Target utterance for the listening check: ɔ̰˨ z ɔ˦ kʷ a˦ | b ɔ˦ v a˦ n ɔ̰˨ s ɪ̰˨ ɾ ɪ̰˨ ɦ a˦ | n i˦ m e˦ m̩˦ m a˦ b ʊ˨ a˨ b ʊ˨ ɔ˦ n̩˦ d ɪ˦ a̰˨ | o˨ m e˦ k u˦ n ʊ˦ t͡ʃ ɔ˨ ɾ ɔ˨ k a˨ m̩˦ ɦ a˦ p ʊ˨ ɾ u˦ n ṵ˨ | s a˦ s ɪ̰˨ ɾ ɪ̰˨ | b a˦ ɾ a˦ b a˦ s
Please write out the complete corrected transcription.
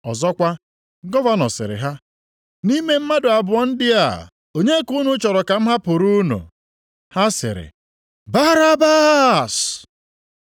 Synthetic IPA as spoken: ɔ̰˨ z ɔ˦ kʷ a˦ | ɡ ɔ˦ v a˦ n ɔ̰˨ s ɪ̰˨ ɾ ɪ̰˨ ɦ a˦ | n i˦ m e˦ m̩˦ m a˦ d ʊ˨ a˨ b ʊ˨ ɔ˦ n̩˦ d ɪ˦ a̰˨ | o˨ ɲ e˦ k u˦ n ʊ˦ t͡ʃ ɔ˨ ɾ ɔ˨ k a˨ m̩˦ ɦ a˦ p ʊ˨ ɾ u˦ n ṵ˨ | h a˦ s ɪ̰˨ ɾ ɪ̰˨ | b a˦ ɾ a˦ b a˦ s

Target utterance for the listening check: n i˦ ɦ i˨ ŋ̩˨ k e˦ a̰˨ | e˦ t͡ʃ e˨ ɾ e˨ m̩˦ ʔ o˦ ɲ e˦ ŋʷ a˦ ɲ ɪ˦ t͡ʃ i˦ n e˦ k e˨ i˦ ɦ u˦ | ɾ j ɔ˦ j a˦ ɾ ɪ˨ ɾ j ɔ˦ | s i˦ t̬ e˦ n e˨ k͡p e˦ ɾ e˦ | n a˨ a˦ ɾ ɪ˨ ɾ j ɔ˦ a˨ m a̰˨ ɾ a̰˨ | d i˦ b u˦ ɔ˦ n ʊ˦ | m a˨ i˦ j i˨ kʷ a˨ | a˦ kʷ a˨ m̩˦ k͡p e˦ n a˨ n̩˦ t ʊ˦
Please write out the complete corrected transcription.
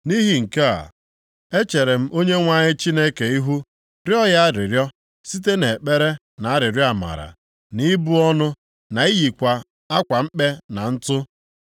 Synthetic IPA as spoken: n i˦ ɦ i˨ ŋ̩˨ k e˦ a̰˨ | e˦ t͡ʃ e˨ ɾ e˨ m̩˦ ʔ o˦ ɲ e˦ ŋʷ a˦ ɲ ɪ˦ t͡ʃ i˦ n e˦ k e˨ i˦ ɦ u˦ | ɾ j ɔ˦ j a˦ ɾ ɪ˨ ɾ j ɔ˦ | s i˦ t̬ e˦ n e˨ k͡p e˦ ɾ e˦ | n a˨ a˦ ɾ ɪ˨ ɾ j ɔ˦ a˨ m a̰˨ ɾ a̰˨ | n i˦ b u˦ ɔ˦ n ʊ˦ | n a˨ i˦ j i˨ kʷ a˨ | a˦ kʷ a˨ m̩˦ k͡p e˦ n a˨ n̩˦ t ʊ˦

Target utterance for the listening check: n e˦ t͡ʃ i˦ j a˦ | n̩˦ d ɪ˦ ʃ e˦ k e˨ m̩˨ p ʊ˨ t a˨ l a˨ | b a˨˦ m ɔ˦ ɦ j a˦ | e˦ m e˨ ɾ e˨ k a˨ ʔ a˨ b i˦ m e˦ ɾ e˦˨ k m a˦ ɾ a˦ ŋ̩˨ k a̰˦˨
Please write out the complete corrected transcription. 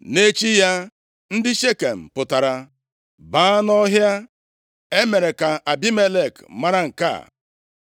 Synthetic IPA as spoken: n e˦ t͡ʃ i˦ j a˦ | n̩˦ d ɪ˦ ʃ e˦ k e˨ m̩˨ p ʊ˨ t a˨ ɾ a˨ | b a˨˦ n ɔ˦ ɦ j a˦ | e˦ m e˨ ɾ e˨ k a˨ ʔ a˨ b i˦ m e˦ l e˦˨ k m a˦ ɾ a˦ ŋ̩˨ k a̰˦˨

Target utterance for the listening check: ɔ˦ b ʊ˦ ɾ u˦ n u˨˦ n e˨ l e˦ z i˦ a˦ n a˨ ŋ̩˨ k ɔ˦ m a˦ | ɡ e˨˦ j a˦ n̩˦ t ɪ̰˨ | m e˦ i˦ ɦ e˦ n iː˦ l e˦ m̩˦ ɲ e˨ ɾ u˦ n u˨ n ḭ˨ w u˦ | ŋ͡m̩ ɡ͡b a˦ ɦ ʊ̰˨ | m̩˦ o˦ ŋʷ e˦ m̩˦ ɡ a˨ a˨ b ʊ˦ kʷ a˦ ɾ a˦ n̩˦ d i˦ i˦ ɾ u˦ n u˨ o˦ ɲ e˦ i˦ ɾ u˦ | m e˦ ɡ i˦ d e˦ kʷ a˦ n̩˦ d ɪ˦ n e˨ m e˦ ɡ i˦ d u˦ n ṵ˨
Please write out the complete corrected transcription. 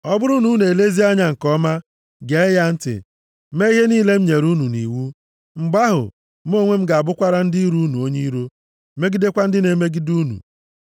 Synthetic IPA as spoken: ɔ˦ b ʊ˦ ɾ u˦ n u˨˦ n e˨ l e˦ z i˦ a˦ ɲ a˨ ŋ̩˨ k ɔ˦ m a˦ | ɡ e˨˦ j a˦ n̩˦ t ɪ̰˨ | m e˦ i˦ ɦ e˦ n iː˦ l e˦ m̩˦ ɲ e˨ ɾ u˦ n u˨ n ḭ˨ w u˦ | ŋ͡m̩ ɡ͡b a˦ ɦ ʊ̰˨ | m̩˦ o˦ ŋʷ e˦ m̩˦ ɡ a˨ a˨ b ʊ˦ kʷ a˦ ɾ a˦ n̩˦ d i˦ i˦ ɾ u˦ n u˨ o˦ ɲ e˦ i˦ ɾ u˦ | m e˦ ɡ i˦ d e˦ kʷ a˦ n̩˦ d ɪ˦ n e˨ m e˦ ɡ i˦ d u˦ n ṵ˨

